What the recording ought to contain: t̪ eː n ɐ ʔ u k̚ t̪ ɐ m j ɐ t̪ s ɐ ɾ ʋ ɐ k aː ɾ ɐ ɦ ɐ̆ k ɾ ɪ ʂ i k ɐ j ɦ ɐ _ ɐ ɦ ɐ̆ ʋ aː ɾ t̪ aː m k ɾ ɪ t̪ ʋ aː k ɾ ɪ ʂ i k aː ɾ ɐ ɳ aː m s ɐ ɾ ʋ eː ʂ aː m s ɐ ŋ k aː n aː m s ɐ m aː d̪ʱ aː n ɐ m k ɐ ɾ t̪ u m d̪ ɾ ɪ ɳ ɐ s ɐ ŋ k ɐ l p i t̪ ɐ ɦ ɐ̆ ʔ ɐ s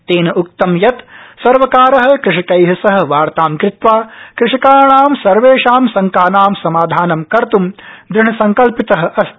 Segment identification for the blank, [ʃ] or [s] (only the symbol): s